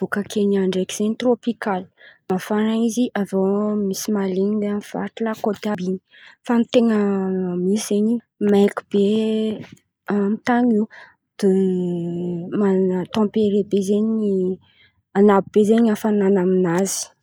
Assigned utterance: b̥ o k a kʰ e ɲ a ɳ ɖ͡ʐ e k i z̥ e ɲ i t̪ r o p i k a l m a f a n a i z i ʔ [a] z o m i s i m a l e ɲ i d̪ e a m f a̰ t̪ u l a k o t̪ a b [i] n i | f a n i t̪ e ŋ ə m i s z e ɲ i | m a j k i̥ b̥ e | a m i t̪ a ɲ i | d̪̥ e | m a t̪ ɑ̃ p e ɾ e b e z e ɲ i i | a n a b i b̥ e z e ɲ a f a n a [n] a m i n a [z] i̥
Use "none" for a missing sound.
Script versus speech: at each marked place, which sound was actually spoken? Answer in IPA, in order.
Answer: a, i, n, z

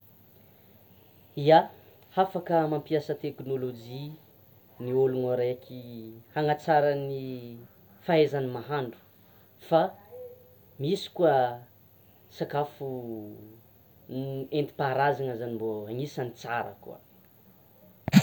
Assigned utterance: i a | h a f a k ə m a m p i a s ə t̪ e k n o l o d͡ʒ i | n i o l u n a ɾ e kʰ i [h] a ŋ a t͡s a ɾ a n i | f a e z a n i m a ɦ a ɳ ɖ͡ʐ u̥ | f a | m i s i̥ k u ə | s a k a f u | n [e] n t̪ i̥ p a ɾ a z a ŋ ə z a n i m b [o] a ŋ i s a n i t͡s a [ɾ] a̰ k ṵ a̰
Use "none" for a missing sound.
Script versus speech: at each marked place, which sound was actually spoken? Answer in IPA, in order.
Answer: h, e, o, ɾ

